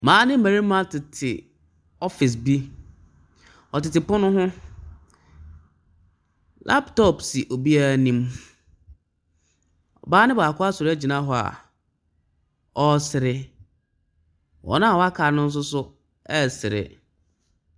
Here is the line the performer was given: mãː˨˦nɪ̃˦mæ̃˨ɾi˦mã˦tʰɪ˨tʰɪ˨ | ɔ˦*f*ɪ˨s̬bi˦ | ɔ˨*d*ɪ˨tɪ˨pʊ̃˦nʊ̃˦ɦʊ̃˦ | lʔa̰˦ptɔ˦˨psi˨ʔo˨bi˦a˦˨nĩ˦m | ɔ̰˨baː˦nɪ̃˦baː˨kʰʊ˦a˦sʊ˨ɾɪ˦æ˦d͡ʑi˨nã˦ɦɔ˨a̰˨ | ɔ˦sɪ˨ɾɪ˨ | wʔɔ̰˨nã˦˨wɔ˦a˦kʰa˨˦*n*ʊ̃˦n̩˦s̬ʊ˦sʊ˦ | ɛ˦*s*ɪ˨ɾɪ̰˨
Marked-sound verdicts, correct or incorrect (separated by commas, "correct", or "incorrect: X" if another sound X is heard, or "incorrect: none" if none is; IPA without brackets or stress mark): correct, incorrect: t, correct, correct